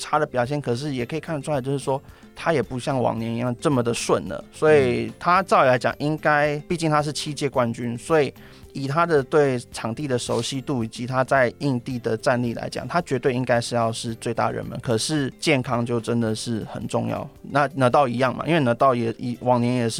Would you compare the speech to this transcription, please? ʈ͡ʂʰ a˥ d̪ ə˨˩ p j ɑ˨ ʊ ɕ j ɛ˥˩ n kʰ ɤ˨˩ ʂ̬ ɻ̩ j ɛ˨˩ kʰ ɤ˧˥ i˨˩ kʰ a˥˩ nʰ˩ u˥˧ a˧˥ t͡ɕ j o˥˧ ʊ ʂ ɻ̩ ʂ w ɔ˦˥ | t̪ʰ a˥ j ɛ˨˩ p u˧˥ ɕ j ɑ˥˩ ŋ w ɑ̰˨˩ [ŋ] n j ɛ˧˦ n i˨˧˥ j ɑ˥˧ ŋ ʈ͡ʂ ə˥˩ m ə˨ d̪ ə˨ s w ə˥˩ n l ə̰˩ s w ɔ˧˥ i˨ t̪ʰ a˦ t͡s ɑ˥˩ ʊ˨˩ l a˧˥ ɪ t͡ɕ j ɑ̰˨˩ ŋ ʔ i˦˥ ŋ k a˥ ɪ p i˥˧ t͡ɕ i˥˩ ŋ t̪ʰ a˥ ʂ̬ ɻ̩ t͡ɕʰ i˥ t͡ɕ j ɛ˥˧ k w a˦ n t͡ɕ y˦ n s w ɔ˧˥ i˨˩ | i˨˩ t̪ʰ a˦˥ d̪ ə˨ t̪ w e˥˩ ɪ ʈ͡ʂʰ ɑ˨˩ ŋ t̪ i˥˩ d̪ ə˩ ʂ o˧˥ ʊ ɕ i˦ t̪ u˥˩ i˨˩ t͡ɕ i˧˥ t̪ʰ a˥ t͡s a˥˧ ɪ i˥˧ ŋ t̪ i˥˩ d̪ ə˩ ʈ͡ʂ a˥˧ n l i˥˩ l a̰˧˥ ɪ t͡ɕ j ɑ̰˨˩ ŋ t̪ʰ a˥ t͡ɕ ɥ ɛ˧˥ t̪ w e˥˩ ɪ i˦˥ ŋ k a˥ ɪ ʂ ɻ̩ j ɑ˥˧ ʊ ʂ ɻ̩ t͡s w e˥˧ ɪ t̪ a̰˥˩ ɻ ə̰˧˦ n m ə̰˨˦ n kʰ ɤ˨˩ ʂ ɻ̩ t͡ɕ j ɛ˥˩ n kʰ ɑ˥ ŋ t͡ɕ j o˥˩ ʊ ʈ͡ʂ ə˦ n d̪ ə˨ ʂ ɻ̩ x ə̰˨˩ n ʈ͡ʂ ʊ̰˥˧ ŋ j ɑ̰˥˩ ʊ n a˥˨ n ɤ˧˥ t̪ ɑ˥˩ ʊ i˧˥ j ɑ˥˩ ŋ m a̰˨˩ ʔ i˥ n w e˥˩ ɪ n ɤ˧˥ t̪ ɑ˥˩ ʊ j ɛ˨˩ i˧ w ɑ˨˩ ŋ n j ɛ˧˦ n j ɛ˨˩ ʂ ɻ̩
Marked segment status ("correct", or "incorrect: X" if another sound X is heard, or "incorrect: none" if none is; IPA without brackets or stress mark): correct